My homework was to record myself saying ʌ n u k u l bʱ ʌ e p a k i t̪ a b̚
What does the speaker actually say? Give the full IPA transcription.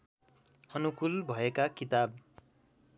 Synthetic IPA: ʌ n u k u l bʱ ʌ e k a k i t̪ a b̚